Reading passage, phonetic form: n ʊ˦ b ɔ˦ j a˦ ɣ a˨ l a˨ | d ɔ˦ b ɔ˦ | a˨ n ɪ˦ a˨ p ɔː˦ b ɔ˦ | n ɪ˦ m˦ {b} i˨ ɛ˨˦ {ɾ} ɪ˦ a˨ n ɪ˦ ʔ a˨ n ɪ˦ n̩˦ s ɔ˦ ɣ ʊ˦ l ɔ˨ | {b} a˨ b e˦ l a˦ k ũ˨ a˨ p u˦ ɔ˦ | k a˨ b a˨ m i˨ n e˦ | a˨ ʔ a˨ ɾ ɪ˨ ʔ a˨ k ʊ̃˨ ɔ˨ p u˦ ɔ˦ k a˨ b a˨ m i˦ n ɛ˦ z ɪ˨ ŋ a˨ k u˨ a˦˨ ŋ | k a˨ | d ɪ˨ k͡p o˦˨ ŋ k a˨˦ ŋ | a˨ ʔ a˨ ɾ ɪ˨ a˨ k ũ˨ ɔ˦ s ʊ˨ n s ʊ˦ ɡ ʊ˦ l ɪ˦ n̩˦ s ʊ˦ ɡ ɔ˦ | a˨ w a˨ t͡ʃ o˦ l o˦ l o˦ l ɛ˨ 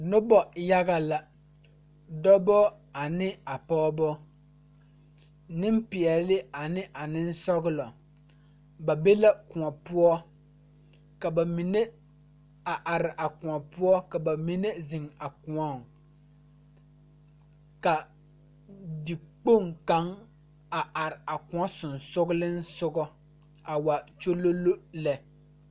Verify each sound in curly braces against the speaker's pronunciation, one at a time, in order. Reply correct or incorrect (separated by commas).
incorrect, incorrect, correct